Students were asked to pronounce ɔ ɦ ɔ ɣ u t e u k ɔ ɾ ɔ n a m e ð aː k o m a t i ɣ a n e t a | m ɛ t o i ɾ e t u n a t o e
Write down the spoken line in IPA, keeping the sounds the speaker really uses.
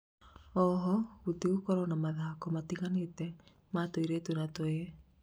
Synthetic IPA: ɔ ɦ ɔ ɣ u t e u k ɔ ɾ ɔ n a m a ð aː k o m a t i ɣ a n e t ɛ | m a t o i ɾ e t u n a t o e